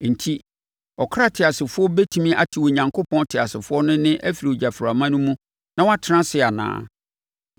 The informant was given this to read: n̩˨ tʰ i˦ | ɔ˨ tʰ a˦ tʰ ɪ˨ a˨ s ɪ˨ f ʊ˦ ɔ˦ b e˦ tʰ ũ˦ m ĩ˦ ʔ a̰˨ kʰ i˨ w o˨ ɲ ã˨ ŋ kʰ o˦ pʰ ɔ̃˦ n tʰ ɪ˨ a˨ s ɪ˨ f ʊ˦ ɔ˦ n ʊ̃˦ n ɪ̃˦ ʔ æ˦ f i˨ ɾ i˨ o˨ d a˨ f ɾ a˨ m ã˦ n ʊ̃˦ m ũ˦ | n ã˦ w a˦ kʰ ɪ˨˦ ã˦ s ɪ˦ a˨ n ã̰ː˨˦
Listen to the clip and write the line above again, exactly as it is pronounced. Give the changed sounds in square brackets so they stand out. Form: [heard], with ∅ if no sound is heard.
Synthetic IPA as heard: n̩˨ tʰ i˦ | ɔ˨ [kʰ] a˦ tʰ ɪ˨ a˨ s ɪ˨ f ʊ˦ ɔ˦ b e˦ tʰ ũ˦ m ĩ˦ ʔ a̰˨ [tʰ] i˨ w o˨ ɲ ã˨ ŋ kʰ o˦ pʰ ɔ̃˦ n tʰ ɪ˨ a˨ s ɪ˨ f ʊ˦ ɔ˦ n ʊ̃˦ n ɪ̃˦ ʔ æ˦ f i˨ ɾ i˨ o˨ [d͡ʑ] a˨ f ɾ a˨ m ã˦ n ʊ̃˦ m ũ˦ | n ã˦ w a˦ [tʰ] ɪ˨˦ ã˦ s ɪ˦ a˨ n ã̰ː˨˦